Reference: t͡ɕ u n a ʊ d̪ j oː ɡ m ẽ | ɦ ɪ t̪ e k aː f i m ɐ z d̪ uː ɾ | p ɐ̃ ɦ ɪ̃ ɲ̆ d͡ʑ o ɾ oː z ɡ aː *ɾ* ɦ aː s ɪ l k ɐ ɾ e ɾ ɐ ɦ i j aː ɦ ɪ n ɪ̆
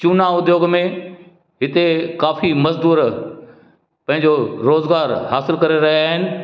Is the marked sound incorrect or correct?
correct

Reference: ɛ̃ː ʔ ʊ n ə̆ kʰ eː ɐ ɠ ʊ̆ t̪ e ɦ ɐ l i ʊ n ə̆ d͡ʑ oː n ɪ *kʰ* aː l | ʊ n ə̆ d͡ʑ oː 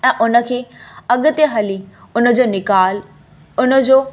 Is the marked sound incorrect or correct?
incorrect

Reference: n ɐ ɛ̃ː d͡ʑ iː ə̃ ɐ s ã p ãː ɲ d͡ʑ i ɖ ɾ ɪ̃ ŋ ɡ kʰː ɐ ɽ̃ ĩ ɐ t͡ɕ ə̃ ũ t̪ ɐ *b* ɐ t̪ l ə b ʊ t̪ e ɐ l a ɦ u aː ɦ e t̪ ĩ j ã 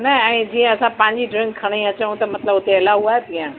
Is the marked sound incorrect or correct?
incorrect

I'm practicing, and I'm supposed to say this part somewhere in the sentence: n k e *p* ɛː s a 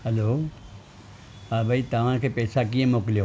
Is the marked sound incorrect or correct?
correct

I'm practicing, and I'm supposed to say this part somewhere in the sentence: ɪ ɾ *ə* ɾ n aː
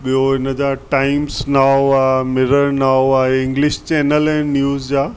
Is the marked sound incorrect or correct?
correct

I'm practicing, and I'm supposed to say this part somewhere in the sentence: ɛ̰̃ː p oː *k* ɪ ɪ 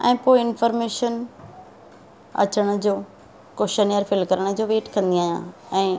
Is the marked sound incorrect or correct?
incorrect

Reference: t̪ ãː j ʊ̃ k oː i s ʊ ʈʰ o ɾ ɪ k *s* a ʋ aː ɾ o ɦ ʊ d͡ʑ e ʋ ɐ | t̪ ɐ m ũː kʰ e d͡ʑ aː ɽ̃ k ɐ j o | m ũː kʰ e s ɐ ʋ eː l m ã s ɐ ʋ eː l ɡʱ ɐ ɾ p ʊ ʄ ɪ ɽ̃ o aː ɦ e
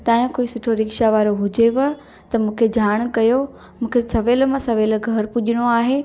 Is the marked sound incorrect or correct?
incorrect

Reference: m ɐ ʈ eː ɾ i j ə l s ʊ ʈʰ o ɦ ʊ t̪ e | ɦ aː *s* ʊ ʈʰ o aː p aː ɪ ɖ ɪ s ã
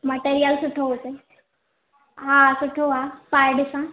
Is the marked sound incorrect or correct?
correct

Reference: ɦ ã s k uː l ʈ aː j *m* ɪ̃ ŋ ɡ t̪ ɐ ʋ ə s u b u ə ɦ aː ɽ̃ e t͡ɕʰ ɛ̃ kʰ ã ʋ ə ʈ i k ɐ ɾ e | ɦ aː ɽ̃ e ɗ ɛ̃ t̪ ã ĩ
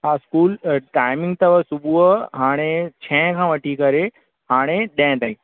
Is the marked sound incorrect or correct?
correct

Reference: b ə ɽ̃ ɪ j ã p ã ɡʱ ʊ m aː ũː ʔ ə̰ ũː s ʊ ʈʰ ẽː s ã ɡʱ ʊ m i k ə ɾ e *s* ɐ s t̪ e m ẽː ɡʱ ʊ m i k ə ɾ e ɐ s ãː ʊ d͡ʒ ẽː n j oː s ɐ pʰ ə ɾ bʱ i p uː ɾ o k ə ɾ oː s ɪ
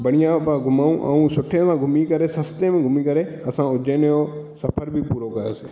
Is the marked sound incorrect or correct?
correct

